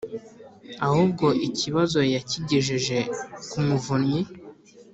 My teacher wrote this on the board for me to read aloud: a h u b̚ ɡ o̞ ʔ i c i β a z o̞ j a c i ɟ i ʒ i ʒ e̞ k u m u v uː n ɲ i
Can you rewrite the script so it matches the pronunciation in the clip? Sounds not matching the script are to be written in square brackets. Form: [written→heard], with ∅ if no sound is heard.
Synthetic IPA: a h u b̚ ɡ o̞ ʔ i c i β a z o̞ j a c i ɟ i ʒ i ʒ e̞ k u m u v [uː→u] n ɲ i

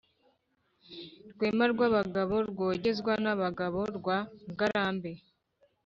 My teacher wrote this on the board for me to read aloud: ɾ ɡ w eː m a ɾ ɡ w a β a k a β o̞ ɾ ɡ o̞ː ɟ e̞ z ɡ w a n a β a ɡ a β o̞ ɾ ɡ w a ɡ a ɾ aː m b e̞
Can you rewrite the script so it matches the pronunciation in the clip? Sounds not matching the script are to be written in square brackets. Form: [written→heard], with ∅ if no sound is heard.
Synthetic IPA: ɾ ɡ w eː m a ɾ ɡ w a β a [k→ɡ] a β o̞ ɾ ɡ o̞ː ɟ e̞ z ɡ w a n a β a ɡ a β o̞ ɾ ɡ w a ɡ a ɾ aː m b e̞

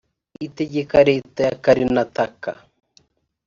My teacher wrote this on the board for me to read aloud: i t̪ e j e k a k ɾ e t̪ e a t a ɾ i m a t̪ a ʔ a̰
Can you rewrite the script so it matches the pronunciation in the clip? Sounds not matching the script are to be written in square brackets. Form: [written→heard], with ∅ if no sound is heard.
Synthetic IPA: i t̪ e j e k a [k→∅] ɾ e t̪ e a [t→k] a ɾ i [m→n] a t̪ a [ʔ→k] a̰

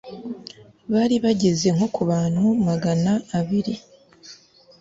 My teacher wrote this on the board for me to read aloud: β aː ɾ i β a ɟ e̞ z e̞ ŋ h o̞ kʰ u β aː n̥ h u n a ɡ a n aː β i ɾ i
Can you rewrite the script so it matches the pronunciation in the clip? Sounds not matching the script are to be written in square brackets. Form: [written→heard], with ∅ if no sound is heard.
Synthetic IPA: β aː ɾ i β a ɟ e̞ z e̞ ŋ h o̞ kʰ u β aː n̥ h u [n→m] a ɡ a n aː β i ɾ i

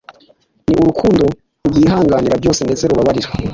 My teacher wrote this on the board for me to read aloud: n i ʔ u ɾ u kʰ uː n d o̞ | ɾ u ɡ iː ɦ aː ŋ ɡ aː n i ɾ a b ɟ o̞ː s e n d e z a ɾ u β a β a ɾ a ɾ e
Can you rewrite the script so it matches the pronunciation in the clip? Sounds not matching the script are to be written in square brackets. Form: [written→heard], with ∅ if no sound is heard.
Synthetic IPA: n i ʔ u ɾ u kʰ uː n d o̞ | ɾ u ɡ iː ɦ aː ŋ ɡ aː n i ɾ a b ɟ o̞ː s e n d e z [a→e] ɾ u β a β a ɾ [a→i] ɾ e

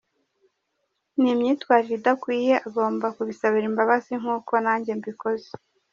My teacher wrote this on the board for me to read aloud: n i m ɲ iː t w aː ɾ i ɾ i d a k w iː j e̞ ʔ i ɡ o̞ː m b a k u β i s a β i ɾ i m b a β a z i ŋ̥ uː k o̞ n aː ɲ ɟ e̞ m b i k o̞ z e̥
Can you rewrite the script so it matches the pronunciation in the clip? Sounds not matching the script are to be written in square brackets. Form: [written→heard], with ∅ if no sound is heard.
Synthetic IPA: n i m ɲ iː t w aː ɾ i ɾ i d a k w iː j e̞ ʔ [i→a] ɡ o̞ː m b a k u β i s a β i ɾ i m b a β a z i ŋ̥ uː k o̞ n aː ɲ ɟ e̞ m b i k o̞ z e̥

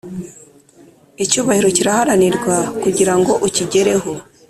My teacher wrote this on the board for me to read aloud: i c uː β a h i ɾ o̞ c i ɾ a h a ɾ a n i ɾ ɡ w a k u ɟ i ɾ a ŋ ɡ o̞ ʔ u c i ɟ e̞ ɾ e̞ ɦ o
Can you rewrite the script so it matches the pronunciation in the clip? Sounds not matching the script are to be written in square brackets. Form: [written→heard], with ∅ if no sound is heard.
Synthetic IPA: i c uː β a h i ɾ o̞ c i ɾ a h a ɾ a n i ɾ ɡ w a k u ɟ i ɾ a ŋ ɡ o̞ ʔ u c i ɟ e̞ ɾ e̞ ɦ o

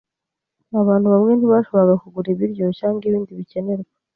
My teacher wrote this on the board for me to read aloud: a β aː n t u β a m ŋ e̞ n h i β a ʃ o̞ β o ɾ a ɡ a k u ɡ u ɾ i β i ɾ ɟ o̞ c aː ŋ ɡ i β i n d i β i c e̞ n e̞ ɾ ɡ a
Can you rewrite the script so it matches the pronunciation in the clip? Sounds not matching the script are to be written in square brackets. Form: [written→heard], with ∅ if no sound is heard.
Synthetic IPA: a β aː n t u β a m ŋ e̞ n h i β a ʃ o̞ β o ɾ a ɡ a k u ɡ u ɾ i β i ɾ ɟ o̞ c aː ŋ ɡ i β [i→iː] n d i β i c e̞ n e̞ ɾ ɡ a

